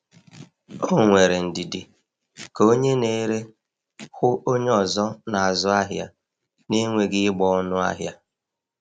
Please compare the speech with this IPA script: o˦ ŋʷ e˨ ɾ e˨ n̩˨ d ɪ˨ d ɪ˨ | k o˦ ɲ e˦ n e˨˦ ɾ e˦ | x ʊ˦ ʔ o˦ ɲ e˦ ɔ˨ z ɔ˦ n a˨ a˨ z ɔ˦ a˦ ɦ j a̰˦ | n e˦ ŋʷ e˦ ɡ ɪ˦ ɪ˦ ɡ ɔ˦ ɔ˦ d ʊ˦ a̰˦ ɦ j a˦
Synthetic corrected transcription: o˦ ŋʷ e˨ ɾ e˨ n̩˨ d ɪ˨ d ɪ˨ | k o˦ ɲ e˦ n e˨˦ ɾ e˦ | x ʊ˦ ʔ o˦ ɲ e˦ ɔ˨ z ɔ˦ n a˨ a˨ z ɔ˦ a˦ ɦ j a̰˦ | n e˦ ŋʷ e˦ ɡ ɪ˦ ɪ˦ ɡ͡b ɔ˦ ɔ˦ n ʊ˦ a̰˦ ɦ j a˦